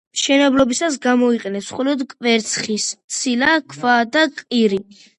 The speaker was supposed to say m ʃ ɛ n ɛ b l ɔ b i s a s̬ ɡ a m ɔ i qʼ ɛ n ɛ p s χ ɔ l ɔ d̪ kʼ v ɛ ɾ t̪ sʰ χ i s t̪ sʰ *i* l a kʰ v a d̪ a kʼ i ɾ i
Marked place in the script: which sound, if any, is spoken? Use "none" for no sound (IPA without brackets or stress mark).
i